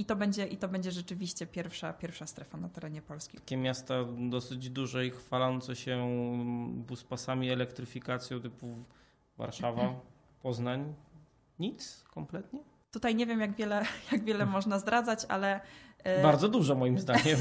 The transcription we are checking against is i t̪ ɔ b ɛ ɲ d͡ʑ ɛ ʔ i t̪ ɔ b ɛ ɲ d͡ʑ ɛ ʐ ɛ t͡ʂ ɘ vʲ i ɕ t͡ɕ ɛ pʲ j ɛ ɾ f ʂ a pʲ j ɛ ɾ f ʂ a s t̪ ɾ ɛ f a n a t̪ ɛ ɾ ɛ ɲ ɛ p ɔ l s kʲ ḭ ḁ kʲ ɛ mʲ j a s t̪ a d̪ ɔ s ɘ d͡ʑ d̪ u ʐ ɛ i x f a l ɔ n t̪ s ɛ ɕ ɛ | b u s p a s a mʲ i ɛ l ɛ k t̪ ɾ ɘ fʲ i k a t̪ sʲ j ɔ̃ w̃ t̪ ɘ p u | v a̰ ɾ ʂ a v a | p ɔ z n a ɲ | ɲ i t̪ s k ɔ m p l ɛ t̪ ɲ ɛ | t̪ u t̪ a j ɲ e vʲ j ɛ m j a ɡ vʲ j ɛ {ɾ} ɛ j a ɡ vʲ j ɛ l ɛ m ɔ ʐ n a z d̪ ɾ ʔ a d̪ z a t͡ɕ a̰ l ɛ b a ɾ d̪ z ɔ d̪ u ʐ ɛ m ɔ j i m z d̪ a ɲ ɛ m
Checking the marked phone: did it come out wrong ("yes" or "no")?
yes